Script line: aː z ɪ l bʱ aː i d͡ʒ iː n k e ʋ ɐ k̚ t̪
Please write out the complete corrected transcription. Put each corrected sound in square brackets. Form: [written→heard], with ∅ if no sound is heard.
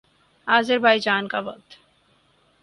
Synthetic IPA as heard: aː z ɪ [l→ɾ] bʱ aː i d͡ʒ [iː→aː] n k [e→a] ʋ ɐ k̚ t̪